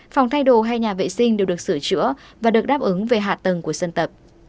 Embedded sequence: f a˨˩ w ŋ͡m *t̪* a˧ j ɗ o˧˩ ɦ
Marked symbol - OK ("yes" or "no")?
no